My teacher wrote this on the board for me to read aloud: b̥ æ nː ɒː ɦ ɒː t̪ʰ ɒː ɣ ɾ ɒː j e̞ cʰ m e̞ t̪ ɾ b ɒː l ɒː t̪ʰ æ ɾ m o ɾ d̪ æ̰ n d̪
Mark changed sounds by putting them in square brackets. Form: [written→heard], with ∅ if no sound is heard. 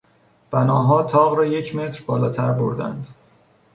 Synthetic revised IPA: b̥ æ [nː→n] ɒː ɦ ɒː t̪ʰ ɒː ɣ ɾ ɒː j e̞ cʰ m e̞ t̪ ɾ b ɒː l ɒː t̪ʰ æ ɾ [m→b] o ɾ d̪ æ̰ n d̪

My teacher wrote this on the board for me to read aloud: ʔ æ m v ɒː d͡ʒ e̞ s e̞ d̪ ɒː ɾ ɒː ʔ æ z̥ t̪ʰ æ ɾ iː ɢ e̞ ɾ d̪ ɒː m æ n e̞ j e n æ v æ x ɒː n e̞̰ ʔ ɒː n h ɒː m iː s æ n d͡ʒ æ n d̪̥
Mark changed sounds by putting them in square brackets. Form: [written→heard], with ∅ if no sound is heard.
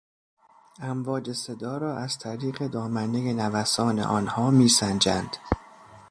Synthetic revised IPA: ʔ æ m v ɒː d͡ʒ e̞ s e̞ d̪ ɒː ɾ ɒː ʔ æ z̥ t̪ʰ æ ɾ iː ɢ e̞ [ɾ→∅] d̪ ɒː m æ n e̞ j e n æ v æ [x→s] ɒː n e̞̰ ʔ ɒː n h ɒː m iː s æ n d͡ʒ æ n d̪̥

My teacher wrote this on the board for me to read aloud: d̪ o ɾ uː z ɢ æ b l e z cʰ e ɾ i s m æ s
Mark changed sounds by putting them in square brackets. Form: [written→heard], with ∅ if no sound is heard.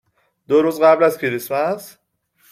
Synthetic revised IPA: d̪ o ɾ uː z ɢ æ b l [e→æ] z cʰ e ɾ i s m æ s

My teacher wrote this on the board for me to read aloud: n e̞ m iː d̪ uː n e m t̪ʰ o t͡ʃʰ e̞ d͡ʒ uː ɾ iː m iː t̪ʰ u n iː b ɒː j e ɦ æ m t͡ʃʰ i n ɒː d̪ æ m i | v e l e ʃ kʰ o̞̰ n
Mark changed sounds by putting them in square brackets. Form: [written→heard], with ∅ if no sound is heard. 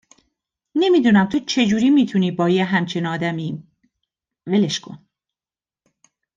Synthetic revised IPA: n e̞ m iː d̪ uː n [e→æ] m t̪ʰ o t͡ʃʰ e̞ d͡ʒ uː ɾ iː m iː t̪ʰ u n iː b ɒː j e ɦ æ m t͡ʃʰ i n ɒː d̪ æ m i | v e l e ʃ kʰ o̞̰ n

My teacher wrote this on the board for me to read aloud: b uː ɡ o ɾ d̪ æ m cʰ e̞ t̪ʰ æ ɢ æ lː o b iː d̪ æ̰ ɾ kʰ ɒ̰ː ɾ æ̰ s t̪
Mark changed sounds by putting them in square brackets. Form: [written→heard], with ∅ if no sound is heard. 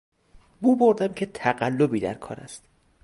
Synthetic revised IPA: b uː [ɡ→b] o ɾ d̪ æ m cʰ e̞ t̪ʰ æ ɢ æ lː o b iː d̪ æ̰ ɾ kʰ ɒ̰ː ɾ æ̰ s t̪

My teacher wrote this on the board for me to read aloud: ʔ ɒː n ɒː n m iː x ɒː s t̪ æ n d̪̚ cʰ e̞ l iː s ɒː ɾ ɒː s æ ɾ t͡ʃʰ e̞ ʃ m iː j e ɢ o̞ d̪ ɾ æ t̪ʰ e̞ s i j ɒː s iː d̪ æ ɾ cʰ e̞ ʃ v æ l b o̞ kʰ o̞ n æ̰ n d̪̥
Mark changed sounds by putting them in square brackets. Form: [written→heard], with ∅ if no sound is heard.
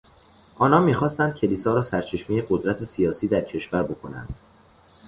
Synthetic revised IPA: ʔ ɒː n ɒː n m iː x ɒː s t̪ æ n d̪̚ cʰ e̞ l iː s ɒː ɾ ɒː s æ ɾ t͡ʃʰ e̞ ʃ m iː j e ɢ o̞ d̪ ɾ æ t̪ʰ e̞ s i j ɒː s iː d̪ æ ɾ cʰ e̞ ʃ v æ [l→ɾ] b o̞ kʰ o̞ n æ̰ n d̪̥

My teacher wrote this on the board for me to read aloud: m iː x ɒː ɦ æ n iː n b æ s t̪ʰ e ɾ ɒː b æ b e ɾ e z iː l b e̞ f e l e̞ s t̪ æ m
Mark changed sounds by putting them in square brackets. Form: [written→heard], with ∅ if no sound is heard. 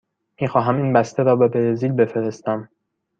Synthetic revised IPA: m iː x ɒː ɦ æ [n→m] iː n b æ s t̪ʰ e ɾ ɒː b [æ→e] b e ɾ e z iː l b e̞ f e [l→ɾ] e̞ s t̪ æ m

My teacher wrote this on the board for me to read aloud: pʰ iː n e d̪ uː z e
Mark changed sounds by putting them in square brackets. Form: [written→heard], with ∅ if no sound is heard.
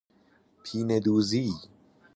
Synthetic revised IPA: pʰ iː n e d̪ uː z [e→i]

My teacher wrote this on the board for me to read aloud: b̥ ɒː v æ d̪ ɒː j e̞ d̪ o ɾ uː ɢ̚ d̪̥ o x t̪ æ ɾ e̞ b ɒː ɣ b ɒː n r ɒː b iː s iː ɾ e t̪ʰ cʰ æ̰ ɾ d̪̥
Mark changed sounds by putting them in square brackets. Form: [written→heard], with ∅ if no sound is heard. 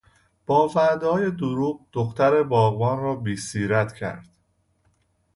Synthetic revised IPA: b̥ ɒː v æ d̪ ɒː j e̞ d̪ o ɾ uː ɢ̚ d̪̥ o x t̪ æ ɾ e̞ b ɒː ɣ b ɒː n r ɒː b iː s iː ɾ [e→æ] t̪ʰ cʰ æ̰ ɾ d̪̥

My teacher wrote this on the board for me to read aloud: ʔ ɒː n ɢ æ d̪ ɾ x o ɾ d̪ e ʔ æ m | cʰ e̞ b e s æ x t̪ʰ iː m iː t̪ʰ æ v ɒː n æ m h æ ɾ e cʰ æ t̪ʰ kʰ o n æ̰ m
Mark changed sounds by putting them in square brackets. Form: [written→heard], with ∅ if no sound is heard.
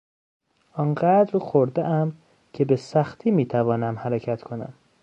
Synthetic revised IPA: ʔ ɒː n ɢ æ d̪ ɾ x o ɾ d̪ e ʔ æ m | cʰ e̞ b e s æ x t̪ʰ iː m iː t̪ʰ æ v ɒː n æ m h æ ɾ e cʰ æ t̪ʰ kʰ o n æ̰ m

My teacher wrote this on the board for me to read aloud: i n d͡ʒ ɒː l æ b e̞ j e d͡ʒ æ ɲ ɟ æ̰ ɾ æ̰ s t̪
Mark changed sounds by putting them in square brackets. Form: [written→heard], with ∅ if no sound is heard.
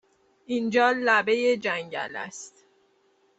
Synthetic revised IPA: i n d͡ʒ ɒː l æ b e̞ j e d͡ʒ æ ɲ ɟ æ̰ [ɾ→l] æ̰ s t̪

